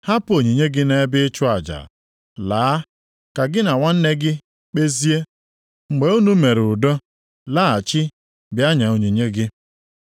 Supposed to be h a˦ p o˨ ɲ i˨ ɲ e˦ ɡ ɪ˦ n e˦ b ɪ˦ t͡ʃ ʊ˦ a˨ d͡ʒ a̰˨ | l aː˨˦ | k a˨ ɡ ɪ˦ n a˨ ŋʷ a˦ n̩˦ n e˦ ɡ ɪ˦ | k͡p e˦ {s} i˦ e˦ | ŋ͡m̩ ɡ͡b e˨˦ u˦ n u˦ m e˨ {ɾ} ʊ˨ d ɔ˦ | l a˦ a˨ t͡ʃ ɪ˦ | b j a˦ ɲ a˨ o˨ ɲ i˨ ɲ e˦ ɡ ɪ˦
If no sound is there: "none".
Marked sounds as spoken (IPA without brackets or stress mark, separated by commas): z, ɾ